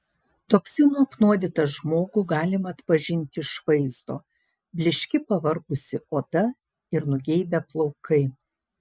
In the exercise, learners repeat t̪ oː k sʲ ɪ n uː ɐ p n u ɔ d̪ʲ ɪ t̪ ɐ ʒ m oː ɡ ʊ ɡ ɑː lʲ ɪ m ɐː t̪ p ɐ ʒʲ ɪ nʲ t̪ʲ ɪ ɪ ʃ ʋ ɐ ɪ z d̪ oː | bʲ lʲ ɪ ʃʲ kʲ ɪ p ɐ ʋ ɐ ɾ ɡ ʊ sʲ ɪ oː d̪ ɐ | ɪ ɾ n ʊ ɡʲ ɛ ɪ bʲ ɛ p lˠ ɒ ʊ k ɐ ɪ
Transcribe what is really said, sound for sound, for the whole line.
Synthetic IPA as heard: t̪ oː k sʲ ɪ n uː ɐ p n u ɔ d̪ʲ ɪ t̪ ɐ ʒ m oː ɡ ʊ ɡ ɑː lʲ ɪ m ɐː t̪ p ɐ ʒʲ ɪ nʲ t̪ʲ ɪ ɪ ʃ ʋ ɐ ɪ z d̪ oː | bʲ lʲ ɪ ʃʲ kʲ ɪ p ɐ ʋ ɐ ɾ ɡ ʊ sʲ ɪ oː d̪ ɐ | ɪ ɾ n ʊ ɡʲ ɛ ɪ bʲ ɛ p lˠ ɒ ʊ k ɐ ɪ